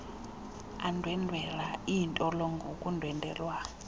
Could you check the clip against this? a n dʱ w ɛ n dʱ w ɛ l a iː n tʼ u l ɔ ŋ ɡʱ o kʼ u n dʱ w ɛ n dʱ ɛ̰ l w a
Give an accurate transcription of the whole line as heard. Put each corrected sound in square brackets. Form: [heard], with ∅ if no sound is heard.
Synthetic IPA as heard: a n dʱ w ɛ n dʱ w ɛ l a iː n tʼ [ɔ] l ɔ ŋ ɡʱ o kʼ u n dʱ w ɛ n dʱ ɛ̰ l w a